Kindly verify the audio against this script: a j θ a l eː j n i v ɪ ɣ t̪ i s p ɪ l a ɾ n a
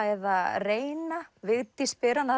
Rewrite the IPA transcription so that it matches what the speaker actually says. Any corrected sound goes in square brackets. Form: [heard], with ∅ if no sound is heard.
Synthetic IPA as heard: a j [ð] a [r] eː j n [a] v ɪ ɣ t̪ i s p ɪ [ɾ] a [∅] n a